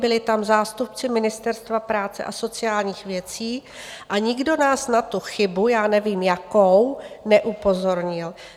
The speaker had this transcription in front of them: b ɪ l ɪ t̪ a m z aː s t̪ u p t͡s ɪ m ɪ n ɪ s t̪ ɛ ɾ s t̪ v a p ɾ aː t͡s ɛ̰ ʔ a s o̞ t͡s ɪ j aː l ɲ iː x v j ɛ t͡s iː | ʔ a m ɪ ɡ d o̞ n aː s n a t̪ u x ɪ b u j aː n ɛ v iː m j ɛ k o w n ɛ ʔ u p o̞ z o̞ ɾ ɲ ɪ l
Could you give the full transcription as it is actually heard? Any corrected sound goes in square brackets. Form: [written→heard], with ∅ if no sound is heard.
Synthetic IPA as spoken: b ɪ l ɪ t̪ a m z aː s t̪ u p t͡s ɪ m ɪ n ɪ s t̪ ɛ ɾ s t̪ v a p ɾ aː t͡s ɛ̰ ʔ a s o̞ t͡s ɪ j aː l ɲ iː x v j ɛ t͡s iː | ʔ a [m→ɲ] ɪ ɡ d o̞ n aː s n a t̪ u x ɪ b u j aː n ɛ v iː m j [ɛ→a] k o w n ɛ ʔ u p o̞ z o̞ ɾ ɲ ɪ l